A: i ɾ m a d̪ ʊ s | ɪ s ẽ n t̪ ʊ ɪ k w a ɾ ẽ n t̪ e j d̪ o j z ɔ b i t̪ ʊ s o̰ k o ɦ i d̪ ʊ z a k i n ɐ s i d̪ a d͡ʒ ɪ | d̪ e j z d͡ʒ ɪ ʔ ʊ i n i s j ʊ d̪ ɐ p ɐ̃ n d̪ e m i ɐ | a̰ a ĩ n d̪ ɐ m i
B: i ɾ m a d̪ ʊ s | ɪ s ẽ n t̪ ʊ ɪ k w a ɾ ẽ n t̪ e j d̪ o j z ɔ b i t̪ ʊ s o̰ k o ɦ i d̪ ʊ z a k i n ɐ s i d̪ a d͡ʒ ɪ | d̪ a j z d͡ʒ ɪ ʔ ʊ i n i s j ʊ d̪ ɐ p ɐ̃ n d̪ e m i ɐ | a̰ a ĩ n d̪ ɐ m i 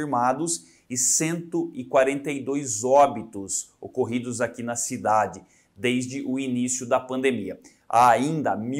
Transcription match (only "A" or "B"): A